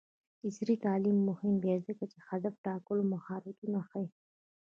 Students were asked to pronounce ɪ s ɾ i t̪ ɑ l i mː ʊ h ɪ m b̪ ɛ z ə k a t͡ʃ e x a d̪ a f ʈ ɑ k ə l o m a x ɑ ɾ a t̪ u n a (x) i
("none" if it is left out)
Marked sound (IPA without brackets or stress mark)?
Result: x